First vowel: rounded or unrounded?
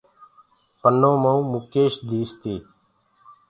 unrounded